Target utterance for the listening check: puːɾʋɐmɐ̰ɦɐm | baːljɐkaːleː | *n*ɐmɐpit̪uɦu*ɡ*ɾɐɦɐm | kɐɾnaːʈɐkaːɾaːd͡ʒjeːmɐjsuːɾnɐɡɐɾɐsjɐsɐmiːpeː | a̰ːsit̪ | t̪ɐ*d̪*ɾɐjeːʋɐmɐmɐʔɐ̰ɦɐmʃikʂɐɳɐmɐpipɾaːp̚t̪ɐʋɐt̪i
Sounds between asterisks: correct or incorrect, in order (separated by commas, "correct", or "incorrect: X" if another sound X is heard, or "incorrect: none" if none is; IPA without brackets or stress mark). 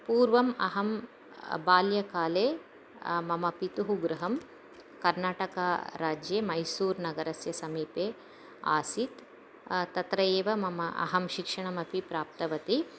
incorrect: m, correct, incorrect: t̪